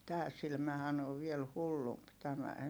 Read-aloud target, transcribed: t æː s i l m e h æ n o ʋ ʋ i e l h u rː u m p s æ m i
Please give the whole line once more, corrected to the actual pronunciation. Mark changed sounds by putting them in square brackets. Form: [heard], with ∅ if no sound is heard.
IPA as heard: t æː s i l m [æ] h æ n o ʋ ʋ i e l h u [lː] u m p [t] æ m [æ]